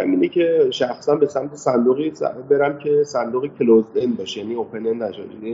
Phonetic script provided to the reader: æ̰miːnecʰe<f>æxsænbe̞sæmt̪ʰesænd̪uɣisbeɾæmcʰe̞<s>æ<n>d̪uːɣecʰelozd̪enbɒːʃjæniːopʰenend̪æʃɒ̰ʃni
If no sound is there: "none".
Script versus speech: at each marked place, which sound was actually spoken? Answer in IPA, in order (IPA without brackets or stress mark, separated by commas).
ʃ, s, n